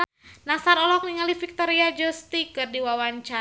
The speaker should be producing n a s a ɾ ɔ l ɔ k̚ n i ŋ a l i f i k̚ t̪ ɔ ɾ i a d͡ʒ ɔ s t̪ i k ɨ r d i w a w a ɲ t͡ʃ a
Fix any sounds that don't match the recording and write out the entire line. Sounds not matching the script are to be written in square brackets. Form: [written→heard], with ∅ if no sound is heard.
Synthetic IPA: n a s a ɾ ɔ l ɔ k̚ n i ŋ a l i f i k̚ t̪ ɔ ɾ i a d͡ʒ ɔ s t̪ i k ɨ r d i w a w a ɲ t͡ʃ a